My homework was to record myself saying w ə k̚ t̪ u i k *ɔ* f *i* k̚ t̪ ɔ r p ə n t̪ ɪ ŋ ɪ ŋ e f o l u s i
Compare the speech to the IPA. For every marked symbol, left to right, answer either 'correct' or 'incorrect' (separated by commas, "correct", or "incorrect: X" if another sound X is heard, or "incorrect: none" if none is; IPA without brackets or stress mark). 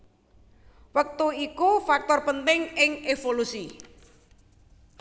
incorrect: u, incorrect: a